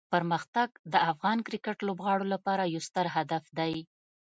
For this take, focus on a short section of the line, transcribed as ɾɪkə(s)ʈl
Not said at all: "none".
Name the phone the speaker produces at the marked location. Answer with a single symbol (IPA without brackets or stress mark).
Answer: none